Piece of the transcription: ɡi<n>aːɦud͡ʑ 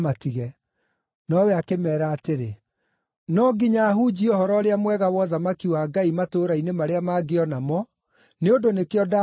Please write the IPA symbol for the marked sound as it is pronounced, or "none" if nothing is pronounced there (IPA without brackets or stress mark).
ɲ